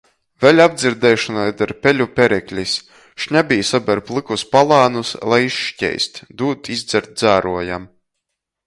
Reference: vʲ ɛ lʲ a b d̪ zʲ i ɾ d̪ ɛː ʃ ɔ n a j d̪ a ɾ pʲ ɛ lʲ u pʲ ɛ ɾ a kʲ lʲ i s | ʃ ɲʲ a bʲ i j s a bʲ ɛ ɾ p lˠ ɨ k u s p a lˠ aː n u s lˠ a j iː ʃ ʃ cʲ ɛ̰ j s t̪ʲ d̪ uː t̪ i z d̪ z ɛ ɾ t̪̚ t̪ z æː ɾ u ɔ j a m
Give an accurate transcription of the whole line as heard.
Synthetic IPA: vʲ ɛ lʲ a b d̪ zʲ i ɾ d̪ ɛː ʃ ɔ n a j d̪ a ɾ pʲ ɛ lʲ u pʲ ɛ ɾ ɛ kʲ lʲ i s | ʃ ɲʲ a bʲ i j s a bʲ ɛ ɾ p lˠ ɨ k u s p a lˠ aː n u s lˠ a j i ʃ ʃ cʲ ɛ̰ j s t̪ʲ d̪ uː t̪ i z d̪ z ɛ ɾ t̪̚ d̪ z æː ɾ u ɔ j a m